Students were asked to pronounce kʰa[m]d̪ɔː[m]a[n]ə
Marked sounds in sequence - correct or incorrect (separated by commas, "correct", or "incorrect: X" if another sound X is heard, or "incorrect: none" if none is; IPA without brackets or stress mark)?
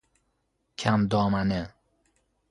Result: correct, correct, correct